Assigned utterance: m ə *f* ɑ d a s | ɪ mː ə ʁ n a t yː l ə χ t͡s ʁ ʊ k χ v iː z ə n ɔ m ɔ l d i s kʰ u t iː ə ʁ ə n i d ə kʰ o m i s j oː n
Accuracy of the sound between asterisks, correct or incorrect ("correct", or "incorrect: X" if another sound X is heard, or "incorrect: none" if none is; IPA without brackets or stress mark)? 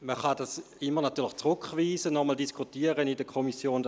incorrect: χ